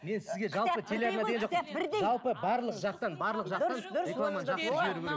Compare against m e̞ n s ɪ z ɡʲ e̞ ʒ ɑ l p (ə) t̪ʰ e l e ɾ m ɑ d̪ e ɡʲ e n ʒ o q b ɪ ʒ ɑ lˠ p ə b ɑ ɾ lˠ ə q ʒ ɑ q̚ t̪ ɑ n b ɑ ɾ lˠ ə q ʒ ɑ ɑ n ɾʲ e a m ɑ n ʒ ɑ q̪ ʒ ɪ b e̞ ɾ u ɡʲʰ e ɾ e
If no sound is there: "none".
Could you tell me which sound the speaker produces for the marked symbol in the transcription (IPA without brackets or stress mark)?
ə